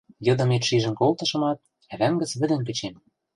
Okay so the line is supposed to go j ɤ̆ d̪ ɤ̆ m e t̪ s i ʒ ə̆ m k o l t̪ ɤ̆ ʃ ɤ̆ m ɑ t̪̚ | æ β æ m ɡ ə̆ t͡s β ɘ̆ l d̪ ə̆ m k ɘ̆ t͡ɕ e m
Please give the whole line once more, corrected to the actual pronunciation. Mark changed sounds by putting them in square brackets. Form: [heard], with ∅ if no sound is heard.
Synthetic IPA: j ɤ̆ d̪ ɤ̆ m e t̪ [ʃ] i ʒ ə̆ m k o l t̪ ɤ̆ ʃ ɤ̆ m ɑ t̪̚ | æ β æ [ŋ] ɡ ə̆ t͡s β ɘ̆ [∅] d̪ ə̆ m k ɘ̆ t͡ɕ e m

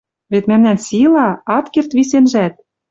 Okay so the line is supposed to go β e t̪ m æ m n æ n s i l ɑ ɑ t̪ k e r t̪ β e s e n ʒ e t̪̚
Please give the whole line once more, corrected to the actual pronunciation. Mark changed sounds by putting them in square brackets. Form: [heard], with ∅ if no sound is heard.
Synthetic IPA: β e t̪ m æ m n æ n s i l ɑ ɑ t̪ k e r t̪ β [i] s e n ʒ [æ] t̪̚

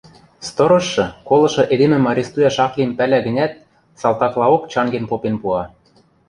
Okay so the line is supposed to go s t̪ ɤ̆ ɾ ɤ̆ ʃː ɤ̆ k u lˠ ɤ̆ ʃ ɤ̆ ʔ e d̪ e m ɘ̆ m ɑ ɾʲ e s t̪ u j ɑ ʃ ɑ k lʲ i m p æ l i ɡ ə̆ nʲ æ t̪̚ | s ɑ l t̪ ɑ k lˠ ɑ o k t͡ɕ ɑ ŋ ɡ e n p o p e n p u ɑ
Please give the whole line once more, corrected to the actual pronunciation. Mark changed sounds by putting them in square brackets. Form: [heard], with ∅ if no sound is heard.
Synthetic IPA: s t̪ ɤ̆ ɾ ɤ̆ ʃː ɤ̆ k [o] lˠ ɤ̆ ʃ ɤ̆ ʔ e d̪ e m ɘ̆ m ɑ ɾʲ e s t̪ u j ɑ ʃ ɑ k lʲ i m p æ l [æ] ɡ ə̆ nʲ æ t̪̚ | s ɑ l t̪ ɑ k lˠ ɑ o k t͡ɕ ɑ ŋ ɡ e n p o p e n p u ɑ

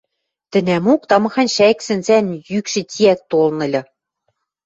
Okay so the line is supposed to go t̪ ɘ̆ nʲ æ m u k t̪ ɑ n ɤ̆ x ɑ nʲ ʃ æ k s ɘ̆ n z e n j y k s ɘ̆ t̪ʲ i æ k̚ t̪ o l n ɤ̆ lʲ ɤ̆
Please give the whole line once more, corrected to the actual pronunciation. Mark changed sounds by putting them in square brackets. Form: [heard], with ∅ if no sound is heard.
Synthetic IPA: t̪ ɘ̆ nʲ æ m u k t̪ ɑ [m] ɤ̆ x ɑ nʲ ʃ æ k s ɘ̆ n z [æ] n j y k [ʃ] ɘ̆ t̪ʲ i æ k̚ t̪ o l n ɤ̆ lʲ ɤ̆

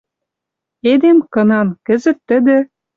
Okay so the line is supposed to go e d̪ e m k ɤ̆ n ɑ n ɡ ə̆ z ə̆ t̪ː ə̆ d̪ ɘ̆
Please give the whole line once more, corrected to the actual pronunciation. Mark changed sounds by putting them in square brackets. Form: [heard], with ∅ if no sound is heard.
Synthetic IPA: e d̪ e m k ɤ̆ n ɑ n [k] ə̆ z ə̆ t̪ː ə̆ d̪ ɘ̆

